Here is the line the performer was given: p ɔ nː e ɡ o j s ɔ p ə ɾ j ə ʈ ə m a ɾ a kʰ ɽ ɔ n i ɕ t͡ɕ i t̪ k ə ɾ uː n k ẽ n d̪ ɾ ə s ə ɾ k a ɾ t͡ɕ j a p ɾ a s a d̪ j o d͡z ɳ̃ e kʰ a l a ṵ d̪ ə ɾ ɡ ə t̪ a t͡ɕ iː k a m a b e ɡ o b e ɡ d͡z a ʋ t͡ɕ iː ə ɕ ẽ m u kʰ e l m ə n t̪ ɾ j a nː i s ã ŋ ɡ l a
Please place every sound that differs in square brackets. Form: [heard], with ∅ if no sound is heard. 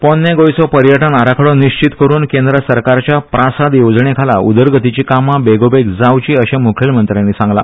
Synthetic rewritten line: p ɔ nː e ɡ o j s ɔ p ə ɾ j ə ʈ ə [n] a ɾ a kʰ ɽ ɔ n i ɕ t͡ɕ i t̪ k ə ɾ uː n k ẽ n d̪ ɾ ə s ə ɾ k a ɾ t͡ɕ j a p ɾ a s a d̪ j o d͡z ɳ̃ e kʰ a l a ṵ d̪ ə ɾ ɡ ə t̪ [i] t͡ɕ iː k a m a b e ɡ o b e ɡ d͡z a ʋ t͡ɕ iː ə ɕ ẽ m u kʰ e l m ə n t̪ ɾ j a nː i s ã ŋ ɡ l a